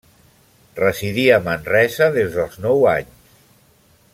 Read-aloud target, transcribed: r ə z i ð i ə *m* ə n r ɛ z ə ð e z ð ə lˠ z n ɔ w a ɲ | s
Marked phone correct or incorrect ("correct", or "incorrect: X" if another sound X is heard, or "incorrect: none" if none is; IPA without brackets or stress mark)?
correct